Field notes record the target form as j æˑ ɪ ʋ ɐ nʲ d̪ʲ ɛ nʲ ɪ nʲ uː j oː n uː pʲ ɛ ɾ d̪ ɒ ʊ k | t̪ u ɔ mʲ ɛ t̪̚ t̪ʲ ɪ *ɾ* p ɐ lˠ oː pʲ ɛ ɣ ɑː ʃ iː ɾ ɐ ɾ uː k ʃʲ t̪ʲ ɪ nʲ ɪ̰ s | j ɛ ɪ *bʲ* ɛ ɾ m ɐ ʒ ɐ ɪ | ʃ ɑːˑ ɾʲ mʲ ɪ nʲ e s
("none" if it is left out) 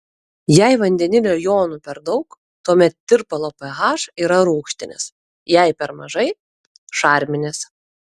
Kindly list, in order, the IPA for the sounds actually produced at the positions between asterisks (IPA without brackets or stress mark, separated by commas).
ɾ, pʲ